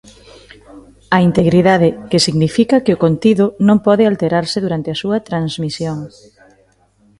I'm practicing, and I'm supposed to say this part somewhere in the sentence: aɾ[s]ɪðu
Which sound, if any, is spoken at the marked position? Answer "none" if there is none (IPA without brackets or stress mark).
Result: s